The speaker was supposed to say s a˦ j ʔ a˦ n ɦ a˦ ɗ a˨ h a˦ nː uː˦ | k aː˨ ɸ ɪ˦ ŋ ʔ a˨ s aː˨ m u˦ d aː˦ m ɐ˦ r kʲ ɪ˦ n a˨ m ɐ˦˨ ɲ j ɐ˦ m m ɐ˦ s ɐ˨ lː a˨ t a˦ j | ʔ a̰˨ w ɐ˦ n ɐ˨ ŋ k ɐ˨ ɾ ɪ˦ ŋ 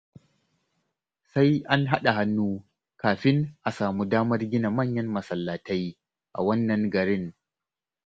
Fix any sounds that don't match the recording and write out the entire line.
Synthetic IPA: s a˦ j ʔ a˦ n ɦ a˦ ɗ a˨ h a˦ nː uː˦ | k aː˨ ɸ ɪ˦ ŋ ʔ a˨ s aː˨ m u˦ d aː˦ m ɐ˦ r ɡʲ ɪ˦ n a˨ m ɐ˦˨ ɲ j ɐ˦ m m ɐ˨ s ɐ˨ lː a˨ t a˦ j | ʔ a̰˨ w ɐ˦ nː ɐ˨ ŋ ɡ ɐ˨ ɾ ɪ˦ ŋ

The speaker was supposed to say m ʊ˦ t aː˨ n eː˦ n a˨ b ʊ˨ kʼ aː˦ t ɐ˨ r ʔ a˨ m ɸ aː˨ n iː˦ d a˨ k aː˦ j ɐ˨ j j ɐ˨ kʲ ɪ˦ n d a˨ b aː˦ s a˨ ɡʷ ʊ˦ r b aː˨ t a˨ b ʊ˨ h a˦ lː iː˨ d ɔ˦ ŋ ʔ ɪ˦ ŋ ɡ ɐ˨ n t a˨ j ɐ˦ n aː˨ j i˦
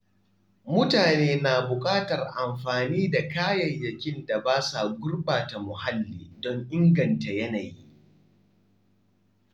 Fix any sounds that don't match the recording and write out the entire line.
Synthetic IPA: m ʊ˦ t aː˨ n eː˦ n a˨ b ʊ˨ kʼ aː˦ t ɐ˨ r ʔ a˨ m ɸ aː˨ n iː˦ d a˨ k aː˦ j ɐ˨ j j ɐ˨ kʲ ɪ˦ n d a˨ b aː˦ s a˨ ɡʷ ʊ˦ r b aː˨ t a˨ m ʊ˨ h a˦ lː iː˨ d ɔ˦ ŋ ʔ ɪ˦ ŋ ɡ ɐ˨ n t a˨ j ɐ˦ n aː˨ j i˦

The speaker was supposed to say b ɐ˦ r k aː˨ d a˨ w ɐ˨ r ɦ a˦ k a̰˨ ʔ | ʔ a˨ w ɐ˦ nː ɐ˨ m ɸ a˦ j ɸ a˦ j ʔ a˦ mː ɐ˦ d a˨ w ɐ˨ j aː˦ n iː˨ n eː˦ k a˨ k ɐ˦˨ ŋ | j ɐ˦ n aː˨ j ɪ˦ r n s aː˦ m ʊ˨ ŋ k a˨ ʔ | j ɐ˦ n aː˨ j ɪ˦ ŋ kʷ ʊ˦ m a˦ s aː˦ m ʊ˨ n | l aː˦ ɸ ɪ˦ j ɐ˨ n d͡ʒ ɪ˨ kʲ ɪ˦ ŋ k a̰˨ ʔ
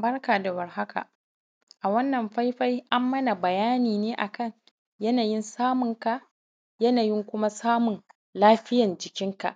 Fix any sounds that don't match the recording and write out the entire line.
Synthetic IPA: b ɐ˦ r k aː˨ d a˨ w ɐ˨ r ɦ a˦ k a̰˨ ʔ | ʔ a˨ w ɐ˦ nː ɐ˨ m ɸ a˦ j ɸ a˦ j ʔ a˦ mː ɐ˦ n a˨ b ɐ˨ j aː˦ n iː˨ n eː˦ ʔ a˨ k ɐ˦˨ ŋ | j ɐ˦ n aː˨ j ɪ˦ n s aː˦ m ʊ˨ ŋ k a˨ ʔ | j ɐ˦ n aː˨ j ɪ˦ ŋ kʷ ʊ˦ m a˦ s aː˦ m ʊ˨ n | l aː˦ ɸ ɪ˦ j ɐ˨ n d͡ʒ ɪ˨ kʲ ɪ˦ ŋ k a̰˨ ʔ

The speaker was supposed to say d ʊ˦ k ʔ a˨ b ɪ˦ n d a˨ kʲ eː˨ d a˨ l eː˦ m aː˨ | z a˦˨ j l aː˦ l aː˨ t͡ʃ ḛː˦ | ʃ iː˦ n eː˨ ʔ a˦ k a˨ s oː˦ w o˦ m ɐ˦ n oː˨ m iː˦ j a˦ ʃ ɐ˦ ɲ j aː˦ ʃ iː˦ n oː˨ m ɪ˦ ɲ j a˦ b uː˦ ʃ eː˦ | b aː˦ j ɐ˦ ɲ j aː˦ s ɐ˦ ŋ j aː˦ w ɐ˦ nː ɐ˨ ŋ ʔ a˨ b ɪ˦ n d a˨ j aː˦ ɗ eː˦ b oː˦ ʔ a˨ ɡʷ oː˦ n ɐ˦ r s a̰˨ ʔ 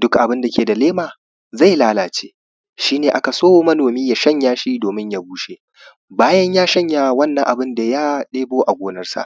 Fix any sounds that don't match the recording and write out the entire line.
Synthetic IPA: d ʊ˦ k ʔ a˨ b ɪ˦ n d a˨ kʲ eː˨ d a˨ l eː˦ m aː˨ | z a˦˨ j l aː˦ l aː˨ t͡ʃ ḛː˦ | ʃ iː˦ n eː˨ ʔ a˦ k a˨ s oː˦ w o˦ m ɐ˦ n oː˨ m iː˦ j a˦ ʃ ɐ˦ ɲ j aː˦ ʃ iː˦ d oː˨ m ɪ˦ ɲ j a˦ b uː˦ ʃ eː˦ | b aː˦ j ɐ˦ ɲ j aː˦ ʃ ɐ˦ ɲ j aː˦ w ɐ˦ nː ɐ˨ ŋ ʔ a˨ b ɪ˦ n d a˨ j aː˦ ɗ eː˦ b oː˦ ʔ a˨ ɡʷ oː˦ n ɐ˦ r s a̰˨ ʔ

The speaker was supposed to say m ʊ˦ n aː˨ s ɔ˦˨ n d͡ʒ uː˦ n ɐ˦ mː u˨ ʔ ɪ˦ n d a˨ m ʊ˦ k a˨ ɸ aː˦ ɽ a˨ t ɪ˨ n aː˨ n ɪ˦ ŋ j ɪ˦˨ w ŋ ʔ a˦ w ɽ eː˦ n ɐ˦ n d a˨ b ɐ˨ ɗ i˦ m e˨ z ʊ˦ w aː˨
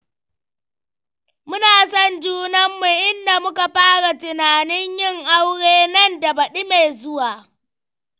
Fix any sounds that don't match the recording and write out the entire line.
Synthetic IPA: m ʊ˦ n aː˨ s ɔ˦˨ n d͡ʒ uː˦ n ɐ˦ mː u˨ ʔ ɪ˦ n d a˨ m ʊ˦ k a˨ ɸ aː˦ ɽ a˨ t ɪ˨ n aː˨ n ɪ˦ ɲ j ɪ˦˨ ŋ ʔ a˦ w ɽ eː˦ n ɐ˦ n d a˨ b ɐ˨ ɗ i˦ m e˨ z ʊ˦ w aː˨

